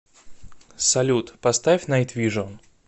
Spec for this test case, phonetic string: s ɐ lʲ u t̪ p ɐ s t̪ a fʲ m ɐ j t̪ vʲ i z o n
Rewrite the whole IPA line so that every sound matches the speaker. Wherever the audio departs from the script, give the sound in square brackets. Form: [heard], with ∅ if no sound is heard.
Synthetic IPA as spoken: s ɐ lʲ u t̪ p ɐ s t̪ a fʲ [n] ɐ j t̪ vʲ i [ʐ] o n